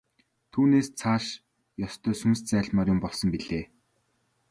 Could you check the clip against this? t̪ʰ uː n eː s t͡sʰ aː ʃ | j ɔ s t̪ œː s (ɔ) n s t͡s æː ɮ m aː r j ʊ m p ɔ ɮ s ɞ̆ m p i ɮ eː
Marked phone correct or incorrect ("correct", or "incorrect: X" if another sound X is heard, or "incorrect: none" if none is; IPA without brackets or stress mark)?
incorrect: u